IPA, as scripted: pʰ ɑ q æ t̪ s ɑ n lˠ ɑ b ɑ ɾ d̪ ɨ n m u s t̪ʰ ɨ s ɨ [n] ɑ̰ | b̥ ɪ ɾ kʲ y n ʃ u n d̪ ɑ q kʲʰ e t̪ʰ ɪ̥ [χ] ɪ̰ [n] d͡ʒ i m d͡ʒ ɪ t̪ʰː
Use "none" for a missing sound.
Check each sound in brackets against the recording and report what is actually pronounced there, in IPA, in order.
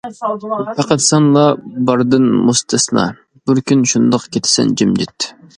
n, s, n

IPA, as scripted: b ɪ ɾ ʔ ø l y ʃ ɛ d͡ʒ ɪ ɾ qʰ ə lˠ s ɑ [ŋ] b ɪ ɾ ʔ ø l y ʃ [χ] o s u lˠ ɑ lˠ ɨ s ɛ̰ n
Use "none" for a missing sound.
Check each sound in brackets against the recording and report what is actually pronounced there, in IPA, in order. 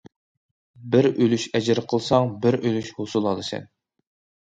ŋ, h

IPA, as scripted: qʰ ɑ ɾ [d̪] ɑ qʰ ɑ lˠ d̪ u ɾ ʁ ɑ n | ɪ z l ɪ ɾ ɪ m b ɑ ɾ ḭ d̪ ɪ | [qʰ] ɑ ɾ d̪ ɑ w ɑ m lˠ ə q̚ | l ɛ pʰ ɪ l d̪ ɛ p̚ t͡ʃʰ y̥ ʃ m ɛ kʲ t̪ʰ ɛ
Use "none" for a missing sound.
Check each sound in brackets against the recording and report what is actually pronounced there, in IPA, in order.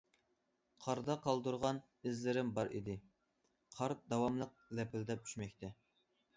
d̪, qʰ

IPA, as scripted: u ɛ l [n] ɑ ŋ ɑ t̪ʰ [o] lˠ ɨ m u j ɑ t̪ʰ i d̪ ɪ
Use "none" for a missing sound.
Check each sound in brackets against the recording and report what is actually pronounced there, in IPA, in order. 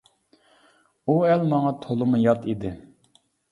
m, o

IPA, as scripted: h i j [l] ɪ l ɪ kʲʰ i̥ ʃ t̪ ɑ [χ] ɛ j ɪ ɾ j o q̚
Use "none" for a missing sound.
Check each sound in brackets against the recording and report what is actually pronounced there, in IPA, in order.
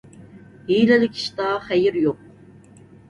l, χ

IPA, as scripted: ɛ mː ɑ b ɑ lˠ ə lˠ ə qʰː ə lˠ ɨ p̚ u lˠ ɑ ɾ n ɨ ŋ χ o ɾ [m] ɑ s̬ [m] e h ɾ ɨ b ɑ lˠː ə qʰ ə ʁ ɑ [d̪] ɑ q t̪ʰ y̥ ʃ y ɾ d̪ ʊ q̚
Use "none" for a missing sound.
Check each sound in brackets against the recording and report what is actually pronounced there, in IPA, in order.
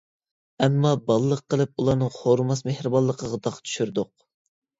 m, m, d̪

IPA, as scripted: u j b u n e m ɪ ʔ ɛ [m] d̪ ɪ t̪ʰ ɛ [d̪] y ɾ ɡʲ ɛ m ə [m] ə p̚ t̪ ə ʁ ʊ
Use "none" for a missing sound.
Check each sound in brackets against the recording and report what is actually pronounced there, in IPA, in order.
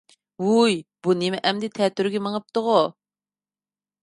m, t̪, ŋ

